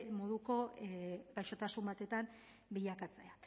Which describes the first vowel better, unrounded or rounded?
rounded